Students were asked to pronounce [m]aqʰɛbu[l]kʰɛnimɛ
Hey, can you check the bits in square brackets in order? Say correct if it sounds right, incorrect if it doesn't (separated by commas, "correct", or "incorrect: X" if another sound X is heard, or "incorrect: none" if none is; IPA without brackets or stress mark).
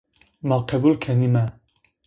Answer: correct, correct